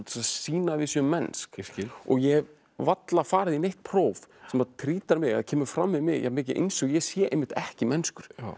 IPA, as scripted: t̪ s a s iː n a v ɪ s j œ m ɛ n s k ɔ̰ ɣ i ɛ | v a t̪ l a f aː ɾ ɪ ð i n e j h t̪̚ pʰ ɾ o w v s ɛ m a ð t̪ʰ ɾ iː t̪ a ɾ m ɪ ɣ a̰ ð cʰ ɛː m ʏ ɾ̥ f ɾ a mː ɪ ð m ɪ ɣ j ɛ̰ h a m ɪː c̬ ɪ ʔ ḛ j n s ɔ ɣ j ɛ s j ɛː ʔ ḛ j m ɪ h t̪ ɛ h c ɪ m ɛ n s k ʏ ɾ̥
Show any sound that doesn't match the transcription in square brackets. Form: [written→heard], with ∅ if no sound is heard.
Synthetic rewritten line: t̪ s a s iː n a v ɪ s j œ m ɛ n s k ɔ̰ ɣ [i→j] ɛ | v a t̪ l a f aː ɾ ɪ ð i n e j h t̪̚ pʰ ɾ o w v s ɛ m a ð t̪ʰ ɾ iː t̪ a ɾ m ɪ ɣ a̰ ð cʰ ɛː m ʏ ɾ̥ f ɾ a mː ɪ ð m ɪ ɣ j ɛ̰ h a m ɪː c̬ ɪ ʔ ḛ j n s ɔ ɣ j ɛ s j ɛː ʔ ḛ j m ɪ h t̪ ɛ h c ɪ m ɛ n s k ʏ ɾ̥